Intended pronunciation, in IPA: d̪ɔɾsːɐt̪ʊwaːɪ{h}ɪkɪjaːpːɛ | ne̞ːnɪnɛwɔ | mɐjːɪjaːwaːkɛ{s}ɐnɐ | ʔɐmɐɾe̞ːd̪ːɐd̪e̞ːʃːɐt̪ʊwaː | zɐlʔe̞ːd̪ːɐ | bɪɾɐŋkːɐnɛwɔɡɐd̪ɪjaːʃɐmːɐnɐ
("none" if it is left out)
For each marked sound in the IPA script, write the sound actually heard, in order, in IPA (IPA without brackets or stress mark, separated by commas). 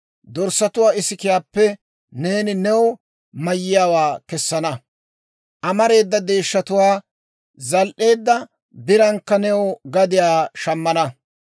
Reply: s, sː